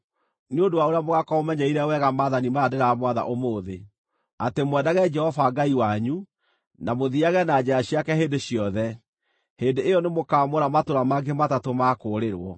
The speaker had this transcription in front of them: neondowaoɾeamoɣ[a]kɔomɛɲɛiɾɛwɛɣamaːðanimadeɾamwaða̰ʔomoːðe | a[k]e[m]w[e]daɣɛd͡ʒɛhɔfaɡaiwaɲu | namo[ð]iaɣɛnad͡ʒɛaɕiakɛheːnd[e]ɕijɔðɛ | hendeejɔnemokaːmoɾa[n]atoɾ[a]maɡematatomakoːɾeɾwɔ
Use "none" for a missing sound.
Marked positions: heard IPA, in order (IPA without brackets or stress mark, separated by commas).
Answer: a, t, m, ɛ, ð, e, m, a